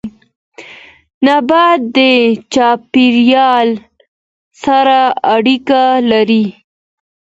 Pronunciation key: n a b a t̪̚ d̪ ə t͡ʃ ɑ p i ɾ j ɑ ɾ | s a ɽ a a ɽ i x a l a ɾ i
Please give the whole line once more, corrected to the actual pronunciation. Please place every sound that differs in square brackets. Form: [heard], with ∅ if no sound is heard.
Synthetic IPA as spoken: n a b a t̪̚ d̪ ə t͡ʃ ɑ p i ɾ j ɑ [l] | s a [ɾ] a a ɽ i [k] a l a ɾ i